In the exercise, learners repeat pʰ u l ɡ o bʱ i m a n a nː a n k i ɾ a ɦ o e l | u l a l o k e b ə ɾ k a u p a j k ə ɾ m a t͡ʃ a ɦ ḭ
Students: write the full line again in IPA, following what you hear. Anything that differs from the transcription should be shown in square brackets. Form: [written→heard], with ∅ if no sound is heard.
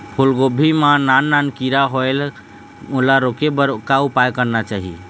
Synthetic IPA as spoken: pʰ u l ɡ o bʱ i m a n a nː a n k i ɾ a ɦ o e l | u l a [l→ɾ] o k e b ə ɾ k a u p a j k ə ɾ [m→n] a t͡ʃ a ɦ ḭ